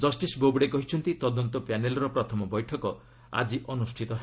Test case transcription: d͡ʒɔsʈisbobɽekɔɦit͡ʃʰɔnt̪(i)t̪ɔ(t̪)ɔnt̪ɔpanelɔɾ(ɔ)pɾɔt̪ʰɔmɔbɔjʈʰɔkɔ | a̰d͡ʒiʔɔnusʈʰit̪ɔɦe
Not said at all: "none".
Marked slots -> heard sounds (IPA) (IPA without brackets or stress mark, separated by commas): i, d̪, ɔ